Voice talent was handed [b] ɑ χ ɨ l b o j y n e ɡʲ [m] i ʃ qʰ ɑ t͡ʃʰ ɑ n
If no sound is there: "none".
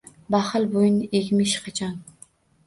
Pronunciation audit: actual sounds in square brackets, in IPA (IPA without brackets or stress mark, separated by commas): b, m